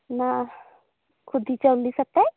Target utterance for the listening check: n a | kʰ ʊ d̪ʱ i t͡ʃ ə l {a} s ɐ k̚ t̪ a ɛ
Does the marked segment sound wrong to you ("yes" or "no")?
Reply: yes